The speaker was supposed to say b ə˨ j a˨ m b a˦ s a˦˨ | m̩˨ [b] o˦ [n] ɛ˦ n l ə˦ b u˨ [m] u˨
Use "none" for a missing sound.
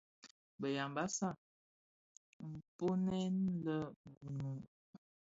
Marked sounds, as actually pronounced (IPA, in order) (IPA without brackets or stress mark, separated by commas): p, n, n